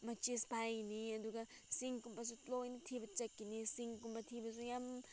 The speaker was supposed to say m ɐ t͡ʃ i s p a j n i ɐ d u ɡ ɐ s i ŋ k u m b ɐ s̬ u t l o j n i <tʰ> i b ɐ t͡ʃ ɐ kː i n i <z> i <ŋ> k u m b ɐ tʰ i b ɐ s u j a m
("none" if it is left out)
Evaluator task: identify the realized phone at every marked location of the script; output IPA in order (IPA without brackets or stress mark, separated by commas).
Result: tʰ, s, ŋ